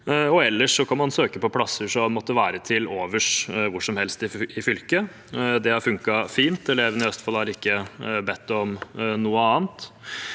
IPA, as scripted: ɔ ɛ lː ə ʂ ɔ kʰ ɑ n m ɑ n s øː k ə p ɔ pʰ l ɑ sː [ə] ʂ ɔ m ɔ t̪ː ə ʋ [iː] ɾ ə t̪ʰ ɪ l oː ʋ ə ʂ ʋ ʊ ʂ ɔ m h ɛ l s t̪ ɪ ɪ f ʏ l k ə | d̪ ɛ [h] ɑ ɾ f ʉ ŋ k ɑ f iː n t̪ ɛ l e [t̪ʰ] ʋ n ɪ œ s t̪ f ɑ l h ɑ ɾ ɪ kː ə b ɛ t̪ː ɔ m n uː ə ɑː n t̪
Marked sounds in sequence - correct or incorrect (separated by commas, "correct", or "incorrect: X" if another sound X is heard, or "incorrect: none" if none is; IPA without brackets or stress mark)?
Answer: correct, incorrect: æː, correct, incorrect: none